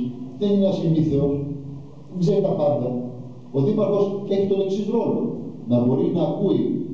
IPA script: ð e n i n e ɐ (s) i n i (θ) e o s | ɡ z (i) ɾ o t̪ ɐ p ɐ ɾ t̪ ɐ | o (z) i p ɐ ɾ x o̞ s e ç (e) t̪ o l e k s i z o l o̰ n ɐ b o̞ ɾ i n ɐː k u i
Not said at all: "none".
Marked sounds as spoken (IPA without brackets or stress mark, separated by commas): s, θ, e, ð, i